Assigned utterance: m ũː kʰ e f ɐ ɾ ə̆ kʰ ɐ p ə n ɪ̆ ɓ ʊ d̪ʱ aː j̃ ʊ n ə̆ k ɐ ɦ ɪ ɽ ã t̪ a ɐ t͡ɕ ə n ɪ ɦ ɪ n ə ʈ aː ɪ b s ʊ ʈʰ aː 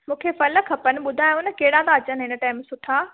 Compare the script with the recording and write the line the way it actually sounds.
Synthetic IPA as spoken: m ũː kʰ e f ɐ l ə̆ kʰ ɐ p ə n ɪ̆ ɓ ʊ d̪ʱ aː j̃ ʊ n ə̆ k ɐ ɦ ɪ ɽ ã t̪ a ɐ t͡ɕ ə n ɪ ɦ ɪ n ə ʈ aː ɪ m s ʊ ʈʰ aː